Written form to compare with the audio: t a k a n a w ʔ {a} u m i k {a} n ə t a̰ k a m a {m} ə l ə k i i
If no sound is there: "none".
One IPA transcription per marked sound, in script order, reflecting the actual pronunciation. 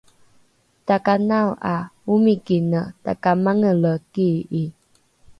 a, i, ŋ

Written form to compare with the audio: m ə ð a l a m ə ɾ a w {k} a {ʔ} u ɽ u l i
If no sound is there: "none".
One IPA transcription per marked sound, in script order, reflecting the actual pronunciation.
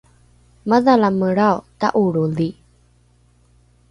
t, ʔ

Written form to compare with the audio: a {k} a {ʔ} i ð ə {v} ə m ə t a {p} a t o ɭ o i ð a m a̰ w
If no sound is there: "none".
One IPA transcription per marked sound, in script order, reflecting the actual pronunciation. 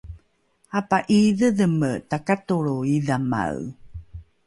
p, ʔ, ð, k

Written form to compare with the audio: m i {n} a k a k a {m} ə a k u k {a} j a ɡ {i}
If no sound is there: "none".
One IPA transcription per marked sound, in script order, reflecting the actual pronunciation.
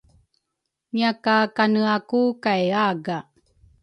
none, n, a, a

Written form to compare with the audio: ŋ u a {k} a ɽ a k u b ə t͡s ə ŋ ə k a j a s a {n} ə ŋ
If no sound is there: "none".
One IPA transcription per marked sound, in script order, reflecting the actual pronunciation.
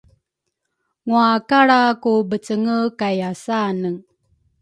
k, n

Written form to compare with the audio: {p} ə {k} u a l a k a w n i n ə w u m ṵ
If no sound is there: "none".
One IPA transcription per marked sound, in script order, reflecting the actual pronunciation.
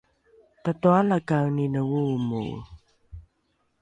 p, t

